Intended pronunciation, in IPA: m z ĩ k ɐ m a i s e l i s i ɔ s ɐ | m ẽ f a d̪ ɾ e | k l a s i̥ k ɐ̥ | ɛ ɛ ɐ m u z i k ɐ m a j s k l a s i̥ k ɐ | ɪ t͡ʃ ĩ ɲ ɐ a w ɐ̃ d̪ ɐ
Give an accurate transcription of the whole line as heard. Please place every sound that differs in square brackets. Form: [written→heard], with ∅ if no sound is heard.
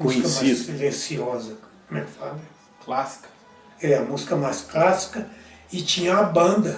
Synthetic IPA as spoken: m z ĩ k ɐ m a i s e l [i→e] s i ɔ [s→z] ɐ | m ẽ f a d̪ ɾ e | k l a s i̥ k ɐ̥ | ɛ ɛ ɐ m u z i k ɐ m a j s k l a s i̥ k ɐ | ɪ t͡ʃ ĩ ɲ ɐ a [w→b] ɐ̃ d̪ ɐ